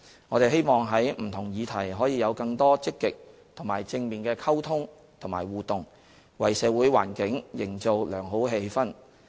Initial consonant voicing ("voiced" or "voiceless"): voiced